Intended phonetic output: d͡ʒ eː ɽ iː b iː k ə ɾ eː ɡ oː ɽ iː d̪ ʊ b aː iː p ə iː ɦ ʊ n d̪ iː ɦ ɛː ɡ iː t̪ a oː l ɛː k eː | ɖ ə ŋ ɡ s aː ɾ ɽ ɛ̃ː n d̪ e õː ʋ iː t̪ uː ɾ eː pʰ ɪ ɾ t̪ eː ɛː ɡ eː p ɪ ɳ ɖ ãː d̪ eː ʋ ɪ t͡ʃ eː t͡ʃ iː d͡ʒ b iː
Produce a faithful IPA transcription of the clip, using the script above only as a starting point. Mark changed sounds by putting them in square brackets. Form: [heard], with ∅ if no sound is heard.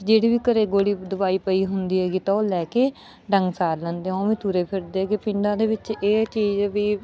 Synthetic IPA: d͡ʒ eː ɽ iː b iː k ə ɾ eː ɡ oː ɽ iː d̪ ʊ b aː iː p ə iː ɦ ʊ n d̪ iː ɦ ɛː ɡ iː t̪ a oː l ɛː k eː | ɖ ə ŋ ɡ s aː ɾ [l] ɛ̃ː n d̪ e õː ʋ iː t̪ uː ɾ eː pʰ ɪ ɾ [d̪] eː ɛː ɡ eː p ɪ ɳ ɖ ãː d̪ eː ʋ ɪ t͡ʃ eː t͡ʃ iː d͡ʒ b iː